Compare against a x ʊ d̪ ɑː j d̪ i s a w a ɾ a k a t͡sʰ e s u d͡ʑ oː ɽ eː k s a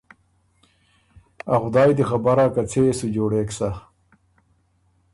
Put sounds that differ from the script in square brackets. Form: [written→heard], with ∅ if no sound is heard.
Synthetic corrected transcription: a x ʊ d̪ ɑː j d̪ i [s→x] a [w→b] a ɾ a k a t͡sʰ e s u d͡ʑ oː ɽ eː k s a